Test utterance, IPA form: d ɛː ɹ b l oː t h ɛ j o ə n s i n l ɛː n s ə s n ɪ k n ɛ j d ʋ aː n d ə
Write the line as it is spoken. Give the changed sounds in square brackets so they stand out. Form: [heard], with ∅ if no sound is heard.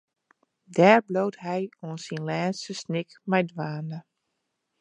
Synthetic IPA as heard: d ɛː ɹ b l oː t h ɛ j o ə n s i n l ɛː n s ə s n ɪ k [m] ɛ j d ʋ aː n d ə